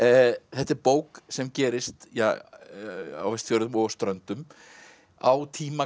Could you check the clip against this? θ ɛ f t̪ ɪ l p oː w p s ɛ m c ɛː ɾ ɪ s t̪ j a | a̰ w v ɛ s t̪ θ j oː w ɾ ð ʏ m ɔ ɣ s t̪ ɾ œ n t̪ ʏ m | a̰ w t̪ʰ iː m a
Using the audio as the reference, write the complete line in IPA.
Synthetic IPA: θ ɛ h t̪ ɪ ɾ p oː w k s ɛ m c ɛː ɾ ɪ s t̪ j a | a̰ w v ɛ s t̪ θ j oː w ɾ ð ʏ m ɔ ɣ s t̪ ɾ œ n t̪ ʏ m | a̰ w t̪ʰ iː m a